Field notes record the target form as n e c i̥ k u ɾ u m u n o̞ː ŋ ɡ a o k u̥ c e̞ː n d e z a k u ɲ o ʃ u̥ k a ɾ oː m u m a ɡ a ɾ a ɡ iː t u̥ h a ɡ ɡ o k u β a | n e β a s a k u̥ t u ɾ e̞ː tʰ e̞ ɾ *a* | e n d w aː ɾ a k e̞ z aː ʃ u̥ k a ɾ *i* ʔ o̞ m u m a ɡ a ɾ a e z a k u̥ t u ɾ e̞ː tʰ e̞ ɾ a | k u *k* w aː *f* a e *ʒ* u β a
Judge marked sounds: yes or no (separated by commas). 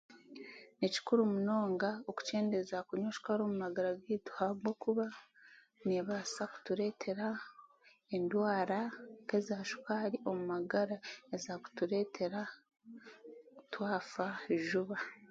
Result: yes, yes, no, yes, yes